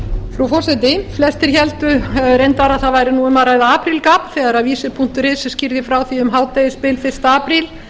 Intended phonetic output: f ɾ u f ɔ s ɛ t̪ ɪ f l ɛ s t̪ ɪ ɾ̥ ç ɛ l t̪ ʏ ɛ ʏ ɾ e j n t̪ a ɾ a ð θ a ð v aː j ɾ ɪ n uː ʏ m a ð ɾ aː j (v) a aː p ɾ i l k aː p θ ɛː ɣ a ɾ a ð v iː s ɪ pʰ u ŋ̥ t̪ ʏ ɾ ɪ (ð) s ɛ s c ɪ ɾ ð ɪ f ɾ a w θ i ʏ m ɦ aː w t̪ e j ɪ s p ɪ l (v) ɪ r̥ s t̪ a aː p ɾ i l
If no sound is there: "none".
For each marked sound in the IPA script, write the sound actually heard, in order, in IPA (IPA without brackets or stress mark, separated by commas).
ð, ð, f